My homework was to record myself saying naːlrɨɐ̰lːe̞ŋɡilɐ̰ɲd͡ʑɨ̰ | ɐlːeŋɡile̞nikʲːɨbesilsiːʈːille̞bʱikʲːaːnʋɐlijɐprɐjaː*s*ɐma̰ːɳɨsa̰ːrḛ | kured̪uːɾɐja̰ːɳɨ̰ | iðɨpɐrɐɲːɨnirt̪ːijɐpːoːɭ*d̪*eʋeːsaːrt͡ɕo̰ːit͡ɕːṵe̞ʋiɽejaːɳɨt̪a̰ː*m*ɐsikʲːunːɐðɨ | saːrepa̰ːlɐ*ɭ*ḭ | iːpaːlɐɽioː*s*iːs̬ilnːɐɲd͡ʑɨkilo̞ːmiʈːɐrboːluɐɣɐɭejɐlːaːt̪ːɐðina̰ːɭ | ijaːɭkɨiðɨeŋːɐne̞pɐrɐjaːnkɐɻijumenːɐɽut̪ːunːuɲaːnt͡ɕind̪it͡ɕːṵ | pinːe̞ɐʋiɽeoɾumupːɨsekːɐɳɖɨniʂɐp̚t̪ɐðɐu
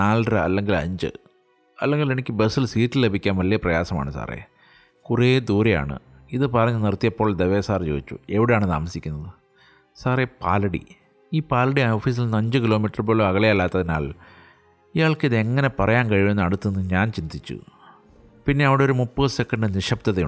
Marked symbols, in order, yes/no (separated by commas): yes, yes, yes, no, no